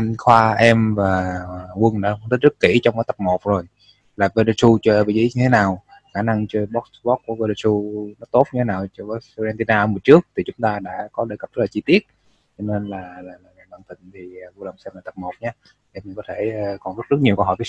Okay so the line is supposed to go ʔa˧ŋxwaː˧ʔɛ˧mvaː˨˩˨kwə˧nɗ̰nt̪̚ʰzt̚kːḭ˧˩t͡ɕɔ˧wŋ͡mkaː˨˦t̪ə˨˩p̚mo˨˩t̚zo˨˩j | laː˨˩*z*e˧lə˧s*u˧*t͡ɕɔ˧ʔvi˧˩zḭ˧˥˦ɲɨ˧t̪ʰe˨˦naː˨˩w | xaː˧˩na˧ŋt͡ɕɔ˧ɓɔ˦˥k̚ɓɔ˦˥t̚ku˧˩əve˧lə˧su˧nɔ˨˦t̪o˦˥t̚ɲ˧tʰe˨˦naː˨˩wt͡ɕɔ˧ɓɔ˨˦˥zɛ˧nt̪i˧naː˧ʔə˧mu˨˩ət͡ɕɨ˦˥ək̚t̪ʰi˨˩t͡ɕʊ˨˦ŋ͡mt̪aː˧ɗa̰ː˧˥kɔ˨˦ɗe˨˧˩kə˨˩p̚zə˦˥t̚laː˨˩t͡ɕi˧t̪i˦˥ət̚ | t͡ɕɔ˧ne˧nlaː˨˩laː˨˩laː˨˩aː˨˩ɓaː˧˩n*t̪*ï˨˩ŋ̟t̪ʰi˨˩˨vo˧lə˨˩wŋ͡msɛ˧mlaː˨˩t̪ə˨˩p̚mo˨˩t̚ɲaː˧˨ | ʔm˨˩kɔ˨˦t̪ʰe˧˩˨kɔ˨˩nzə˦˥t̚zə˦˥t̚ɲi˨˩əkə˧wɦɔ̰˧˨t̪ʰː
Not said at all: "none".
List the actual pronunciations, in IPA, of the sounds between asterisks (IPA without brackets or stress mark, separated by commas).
v, u˧, t̪